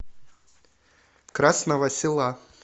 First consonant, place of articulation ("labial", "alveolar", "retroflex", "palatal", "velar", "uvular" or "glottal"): velar